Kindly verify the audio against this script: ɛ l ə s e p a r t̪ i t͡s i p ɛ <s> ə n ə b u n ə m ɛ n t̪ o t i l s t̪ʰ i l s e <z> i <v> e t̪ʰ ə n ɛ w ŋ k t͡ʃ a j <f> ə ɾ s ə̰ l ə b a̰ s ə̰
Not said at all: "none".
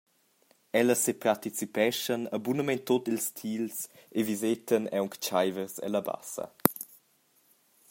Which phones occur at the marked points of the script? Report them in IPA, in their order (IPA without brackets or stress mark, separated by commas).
ʃ, v, z, v